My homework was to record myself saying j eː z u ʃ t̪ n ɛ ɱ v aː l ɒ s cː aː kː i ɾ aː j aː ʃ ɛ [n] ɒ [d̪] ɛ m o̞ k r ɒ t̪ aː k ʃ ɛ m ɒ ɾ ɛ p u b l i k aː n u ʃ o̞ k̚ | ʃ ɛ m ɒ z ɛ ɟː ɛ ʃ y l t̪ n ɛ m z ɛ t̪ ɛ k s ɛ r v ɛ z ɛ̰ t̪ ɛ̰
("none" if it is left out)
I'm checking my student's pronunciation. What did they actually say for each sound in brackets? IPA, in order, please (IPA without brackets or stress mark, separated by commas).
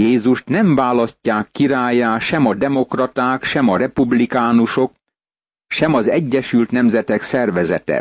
m, d̪